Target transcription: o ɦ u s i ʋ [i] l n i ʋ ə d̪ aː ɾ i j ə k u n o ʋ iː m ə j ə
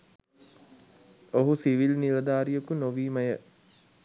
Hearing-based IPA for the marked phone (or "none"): i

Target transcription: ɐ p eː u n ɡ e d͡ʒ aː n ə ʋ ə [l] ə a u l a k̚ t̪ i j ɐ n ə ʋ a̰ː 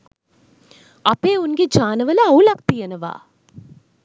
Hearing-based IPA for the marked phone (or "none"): l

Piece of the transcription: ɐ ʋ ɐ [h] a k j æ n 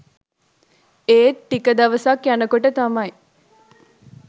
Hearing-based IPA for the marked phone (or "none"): s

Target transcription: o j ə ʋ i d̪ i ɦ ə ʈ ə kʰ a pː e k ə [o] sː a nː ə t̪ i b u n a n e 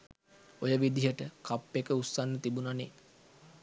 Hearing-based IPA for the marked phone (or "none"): u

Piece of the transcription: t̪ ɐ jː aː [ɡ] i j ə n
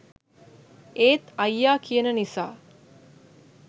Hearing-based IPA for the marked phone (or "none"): k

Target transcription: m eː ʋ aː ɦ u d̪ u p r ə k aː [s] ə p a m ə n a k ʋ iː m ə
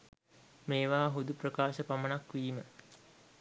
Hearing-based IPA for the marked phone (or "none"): ʃ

